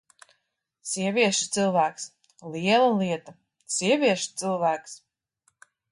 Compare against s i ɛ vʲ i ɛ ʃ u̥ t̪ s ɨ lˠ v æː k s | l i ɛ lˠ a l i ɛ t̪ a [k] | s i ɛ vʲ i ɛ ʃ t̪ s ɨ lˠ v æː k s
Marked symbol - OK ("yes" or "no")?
no